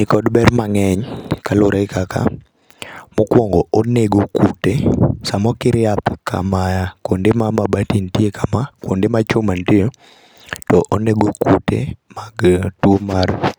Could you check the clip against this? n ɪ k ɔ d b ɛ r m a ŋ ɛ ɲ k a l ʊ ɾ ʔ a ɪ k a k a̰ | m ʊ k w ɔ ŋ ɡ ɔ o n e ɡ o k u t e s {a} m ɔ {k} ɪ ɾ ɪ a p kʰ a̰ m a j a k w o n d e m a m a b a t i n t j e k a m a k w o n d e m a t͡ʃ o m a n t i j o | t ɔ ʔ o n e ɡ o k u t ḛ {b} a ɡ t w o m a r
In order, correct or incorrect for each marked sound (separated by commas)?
correct, correct, incorrect